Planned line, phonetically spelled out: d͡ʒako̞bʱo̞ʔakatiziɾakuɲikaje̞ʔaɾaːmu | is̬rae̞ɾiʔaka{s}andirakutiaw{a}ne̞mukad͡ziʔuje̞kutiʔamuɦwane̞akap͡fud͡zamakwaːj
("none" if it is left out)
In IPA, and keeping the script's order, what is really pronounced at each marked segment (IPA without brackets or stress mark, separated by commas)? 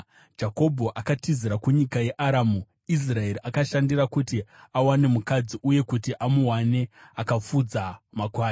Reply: ʃ, a